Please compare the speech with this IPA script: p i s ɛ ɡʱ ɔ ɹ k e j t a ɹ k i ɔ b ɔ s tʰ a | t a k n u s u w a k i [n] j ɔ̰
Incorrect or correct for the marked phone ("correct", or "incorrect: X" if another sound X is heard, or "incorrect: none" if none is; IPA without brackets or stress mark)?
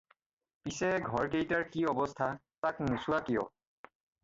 incorrect: none